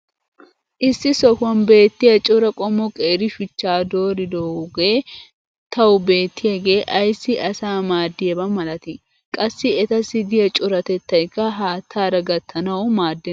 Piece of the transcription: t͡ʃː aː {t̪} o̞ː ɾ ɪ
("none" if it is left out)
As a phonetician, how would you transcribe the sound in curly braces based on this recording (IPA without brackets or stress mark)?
d̪